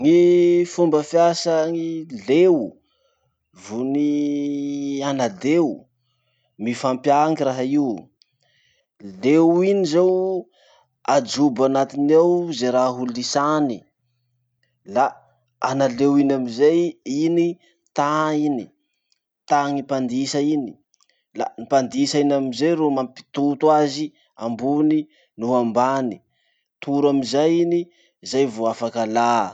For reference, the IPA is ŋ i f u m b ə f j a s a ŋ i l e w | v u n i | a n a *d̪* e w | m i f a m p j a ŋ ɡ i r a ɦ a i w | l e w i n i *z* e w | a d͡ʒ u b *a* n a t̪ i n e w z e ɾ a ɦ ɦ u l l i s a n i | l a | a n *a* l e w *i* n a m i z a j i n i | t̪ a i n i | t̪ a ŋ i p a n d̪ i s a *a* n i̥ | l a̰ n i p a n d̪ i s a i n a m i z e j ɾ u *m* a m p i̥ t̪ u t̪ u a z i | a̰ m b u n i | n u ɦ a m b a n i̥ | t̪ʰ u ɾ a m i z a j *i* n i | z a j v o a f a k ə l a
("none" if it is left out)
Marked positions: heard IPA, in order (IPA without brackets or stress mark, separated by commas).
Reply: d̪, z, a, a, i, i, m, i